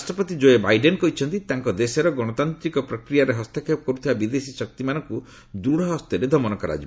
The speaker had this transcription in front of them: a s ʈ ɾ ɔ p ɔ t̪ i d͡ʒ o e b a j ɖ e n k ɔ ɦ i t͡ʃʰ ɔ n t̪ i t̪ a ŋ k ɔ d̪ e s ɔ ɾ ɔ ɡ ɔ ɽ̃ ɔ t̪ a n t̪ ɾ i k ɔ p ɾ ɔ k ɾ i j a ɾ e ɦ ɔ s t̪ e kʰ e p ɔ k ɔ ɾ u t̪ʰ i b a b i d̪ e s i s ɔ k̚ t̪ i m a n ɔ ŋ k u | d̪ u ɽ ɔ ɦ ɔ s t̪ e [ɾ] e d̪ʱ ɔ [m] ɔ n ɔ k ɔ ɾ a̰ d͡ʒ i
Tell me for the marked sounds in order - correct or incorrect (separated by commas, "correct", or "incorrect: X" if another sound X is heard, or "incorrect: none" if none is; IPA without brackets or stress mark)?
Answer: correct, correct